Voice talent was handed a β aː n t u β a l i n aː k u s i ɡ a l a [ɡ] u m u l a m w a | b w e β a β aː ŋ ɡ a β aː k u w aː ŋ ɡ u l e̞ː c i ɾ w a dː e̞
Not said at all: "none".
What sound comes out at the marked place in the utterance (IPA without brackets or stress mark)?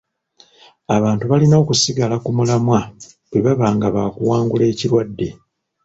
k